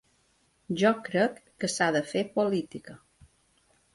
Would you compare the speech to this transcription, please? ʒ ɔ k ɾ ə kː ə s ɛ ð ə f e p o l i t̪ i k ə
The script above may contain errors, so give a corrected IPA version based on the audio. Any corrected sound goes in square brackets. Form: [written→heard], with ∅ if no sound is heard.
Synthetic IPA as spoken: ʒ ɔ k ɾ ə kː ə s [ɛ→a] ð ə f e p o l i t̪ i k ə